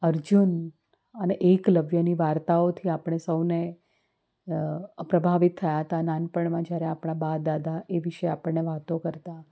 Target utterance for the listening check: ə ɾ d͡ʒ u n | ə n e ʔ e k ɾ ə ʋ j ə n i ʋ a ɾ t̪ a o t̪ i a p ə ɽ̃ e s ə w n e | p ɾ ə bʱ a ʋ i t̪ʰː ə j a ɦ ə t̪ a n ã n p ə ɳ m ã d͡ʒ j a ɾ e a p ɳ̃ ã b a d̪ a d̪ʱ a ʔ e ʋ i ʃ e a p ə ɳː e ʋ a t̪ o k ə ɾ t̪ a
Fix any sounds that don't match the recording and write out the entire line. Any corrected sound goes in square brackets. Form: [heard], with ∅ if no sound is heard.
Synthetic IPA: ə ɾ d͡ʒ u n | ə n e ʔ e k [l] ə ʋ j ə n i ʋ a ɾ t̪ a o [t̪ʰ] i a p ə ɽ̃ e s ə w n e | p ɾ ə bʱ a ʋ i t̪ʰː ə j a ɦ ə t̪ a n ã n p ə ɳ m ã d͡ʒ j a ɾ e a p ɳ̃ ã b a d̪ a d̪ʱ a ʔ e ʋ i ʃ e a p ə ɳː e ʋ a t̪ o k ə ɾ t̪ a